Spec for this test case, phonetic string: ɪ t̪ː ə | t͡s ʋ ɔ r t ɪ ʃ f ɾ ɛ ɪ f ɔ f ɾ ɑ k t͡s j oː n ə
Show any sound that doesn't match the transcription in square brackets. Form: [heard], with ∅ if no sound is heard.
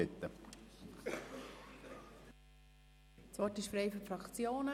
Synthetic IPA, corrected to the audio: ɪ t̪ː ə | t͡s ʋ ɔ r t ɪ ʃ f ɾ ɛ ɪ f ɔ f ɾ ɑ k t͡s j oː n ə